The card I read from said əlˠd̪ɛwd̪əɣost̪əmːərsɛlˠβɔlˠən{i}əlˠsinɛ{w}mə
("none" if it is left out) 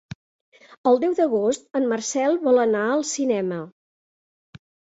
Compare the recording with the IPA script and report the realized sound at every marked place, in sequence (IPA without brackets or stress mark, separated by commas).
a, none